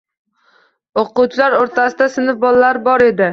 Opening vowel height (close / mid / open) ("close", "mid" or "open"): mid